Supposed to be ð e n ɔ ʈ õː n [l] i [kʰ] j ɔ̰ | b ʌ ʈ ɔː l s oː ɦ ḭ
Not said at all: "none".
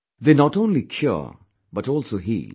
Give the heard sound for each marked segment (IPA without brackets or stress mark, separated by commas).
l, kʰ